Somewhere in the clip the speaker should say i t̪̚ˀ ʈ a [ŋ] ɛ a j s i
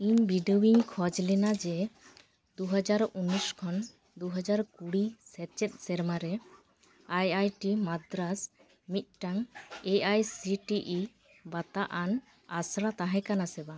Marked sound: correct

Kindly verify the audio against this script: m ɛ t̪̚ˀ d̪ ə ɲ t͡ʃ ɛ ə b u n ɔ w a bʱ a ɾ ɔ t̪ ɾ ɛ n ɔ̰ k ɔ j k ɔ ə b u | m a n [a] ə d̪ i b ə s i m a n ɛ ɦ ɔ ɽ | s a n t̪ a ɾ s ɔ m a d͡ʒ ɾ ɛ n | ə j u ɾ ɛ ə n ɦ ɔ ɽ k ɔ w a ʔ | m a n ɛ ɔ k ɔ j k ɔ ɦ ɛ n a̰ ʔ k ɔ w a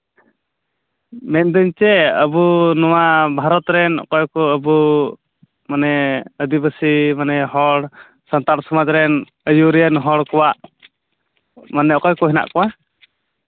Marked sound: incorrect: ɛ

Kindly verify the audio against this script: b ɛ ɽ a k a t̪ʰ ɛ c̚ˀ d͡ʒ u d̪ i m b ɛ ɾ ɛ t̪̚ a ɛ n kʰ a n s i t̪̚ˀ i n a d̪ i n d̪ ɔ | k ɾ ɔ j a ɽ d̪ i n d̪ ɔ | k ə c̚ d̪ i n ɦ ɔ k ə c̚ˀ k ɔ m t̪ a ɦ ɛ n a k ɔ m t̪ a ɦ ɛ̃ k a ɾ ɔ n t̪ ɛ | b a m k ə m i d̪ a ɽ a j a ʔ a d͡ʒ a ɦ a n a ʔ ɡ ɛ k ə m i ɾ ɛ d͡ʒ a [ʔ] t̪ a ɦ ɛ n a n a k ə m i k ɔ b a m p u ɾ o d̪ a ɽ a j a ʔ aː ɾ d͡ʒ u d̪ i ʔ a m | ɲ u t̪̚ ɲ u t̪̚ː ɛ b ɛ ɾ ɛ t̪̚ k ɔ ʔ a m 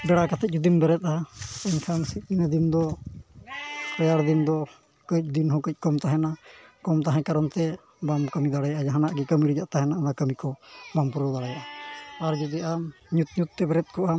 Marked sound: correct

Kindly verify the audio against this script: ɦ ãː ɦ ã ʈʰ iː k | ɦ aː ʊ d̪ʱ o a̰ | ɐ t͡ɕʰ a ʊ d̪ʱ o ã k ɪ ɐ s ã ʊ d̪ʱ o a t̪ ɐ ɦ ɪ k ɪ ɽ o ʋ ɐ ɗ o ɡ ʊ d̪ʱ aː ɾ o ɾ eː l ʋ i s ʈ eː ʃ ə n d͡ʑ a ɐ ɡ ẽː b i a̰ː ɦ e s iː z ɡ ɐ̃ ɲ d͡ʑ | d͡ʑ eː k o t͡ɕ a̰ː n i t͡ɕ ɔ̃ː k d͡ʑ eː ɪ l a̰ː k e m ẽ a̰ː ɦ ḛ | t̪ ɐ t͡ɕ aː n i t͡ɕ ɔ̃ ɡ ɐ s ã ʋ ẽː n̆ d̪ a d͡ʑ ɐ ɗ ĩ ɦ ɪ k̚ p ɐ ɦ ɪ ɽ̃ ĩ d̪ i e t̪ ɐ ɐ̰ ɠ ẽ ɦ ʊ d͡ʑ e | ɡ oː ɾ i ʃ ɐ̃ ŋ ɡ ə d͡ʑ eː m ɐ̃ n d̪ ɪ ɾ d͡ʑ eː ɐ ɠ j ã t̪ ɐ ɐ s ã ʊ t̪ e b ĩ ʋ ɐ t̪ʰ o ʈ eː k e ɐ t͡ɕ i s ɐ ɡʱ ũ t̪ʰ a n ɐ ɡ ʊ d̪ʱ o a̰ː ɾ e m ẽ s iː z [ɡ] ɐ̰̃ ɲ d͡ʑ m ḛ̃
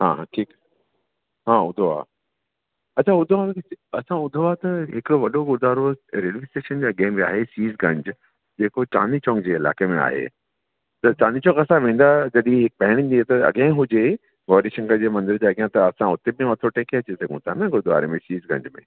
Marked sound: correct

